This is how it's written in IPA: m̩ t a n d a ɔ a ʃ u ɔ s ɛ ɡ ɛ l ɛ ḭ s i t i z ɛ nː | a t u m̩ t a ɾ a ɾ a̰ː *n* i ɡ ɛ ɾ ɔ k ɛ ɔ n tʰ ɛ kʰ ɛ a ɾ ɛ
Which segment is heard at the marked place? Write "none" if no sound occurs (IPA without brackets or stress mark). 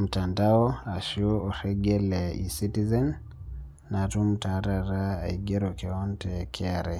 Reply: none